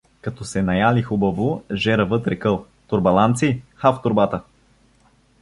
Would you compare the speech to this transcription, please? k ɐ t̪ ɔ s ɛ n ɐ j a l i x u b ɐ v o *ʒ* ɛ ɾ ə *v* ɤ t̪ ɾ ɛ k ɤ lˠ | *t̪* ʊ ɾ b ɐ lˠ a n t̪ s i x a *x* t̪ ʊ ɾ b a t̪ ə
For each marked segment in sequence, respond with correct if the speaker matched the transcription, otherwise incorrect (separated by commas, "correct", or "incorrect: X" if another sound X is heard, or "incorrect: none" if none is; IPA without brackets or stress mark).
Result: correct, correct, correct, incorrect: f